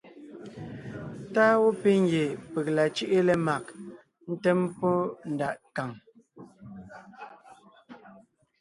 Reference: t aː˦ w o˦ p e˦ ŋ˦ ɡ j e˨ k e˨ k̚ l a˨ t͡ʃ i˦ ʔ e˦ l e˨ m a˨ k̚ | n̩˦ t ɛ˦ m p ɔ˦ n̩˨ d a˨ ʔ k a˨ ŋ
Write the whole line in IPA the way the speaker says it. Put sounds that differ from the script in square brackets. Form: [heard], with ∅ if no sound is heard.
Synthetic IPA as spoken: t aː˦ w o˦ p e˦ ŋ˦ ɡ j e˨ [p] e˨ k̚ l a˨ t͡ʃ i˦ ʔ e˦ l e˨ m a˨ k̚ | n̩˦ t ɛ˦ m p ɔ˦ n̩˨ d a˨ ʔ k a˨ ŋ

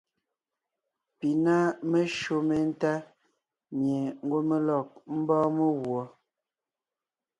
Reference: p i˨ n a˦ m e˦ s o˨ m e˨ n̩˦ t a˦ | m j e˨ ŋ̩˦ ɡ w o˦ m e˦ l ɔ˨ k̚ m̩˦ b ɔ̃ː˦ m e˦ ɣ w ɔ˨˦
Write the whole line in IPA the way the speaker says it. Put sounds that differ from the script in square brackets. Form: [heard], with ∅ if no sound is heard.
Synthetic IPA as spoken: p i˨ n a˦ m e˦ [ʃ] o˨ m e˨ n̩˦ t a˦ | m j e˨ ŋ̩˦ ɡ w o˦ m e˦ l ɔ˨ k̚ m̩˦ b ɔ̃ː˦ m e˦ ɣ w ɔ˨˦

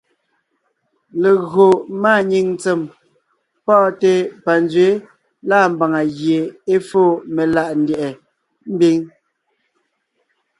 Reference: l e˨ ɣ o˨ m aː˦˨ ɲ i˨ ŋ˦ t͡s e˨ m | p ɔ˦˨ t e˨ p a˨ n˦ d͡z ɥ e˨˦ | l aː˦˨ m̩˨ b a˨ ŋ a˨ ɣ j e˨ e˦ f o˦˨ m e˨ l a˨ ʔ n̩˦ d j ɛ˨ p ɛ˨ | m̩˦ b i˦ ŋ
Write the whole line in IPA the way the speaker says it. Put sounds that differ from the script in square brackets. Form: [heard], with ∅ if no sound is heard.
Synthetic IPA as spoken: l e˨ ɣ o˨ m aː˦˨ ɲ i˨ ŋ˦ t͡s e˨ m | p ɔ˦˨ t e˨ p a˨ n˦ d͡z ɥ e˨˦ | l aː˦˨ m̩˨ b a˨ ŋ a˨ ɣ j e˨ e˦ f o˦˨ m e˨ l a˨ ʔ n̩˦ d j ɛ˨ [ʔ] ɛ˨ | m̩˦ b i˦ ŋ

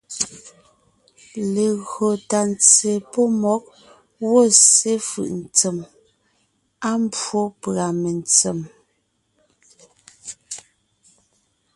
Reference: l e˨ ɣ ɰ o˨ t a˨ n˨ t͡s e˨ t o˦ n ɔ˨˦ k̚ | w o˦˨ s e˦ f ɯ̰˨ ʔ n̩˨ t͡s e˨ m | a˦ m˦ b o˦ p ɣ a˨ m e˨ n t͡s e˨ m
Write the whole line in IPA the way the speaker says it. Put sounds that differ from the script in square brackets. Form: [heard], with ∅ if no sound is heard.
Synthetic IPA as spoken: l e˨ ɣ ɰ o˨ t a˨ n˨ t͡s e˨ [p] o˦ [m] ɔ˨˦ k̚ | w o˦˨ s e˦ f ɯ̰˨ ʔ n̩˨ t͡s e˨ m | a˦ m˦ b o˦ p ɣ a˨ m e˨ n t͡s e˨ m

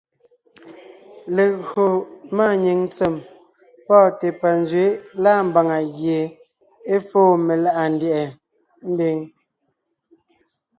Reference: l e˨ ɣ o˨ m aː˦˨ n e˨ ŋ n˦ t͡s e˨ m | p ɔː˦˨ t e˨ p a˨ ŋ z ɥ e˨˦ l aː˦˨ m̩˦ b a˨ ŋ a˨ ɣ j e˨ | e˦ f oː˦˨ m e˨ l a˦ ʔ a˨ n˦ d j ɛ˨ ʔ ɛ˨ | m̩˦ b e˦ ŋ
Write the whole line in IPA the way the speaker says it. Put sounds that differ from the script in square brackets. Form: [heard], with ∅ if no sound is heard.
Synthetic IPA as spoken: l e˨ ɣ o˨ m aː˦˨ [ɲ] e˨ ŋ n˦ t͡s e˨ m | p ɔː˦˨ t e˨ p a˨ [n] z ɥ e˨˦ l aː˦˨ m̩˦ b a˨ ŋ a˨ ɣ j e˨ | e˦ f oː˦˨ m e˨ l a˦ ʔ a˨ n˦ d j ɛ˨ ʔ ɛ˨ | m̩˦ b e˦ ŋ

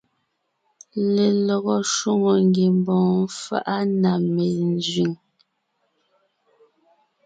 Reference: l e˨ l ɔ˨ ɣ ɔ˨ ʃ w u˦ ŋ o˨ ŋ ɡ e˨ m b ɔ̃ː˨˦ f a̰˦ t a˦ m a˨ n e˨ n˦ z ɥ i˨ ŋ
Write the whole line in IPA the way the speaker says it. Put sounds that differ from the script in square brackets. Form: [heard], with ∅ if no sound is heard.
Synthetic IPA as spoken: l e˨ l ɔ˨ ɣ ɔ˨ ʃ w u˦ ŋ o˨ ŋ ɡ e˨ m b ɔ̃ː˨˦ f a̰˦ [ʔ] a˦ [n] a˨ [m] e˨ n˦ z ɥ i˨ ŋ

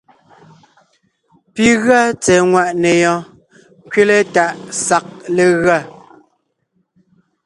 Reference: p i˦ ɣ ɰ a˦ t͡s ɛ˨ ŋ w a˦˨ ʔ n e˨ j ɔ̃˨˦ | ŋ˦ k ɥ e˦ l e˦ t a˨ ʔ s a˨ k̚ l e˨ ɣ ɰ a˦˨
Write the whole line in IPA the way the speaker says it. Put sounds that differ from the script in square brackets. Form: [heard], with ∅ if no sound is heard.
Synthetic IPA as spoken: p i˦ ɣ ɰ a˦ t͡s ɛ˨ ŋ w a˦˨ ʔ n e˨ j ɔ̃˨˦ | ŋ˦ k ɥ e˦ l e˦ t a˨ ʔ s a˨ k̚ l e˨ ɣ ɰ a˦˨

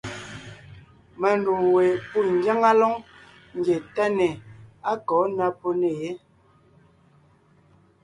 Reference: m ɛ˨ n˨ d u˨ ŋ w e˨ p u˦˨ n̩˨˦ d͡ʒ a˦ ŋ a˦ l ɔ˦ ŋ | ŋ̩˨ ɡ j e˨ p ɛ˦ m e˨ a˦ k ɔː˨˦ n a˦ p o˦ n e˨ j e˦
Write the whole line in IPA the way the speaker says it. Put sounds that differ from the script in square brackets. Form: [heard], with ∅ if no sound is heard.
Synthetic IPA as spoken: m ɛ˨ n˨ d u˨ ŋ w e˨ p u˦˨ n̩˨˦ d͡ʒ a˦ ŋ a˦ l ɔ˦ ŋ | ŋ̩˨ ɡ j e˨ [t] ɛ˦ [n] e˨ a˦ k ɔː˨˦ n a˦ p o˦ n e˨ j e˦

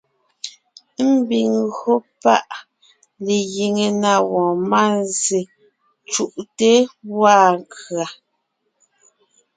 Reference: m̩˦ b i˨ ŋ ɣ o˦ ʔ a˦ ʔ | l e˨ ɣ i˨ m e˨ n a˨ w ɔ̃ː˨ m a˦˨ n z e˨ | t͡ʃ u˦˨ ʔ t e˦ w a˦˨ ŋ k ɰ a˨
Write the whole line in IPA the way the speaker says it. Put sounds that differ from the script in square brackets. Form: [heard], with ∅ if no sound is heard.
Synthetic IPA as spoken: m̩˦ b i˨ ŋ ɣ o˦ [p] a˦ ʔ | l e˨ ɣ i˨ [ŋ] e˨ n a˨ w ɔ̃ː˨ m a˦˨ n z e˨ | t͡ʃ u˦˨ ʔ t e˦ w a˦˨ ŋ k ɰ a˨

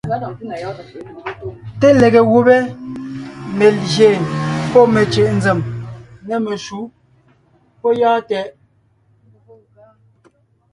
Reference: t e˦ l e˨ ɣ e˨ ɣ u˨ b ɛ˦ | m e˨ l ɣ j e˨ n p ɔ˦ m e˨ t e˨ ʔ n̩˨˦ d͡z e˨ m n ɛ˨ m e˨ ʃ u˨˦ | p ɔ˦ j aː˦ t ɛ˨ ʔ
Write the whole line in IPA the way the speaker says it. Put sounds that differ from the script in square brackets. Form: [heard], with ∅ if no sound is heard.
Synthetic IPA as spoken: t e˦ l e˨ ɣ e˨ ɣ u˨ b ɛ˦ | m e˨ l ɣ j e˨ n p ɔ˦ m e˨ [t͡ʃ] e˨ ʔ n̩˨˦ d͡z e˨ m n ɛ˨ m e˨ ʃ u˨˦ | p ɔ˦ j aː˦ t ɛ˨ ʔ

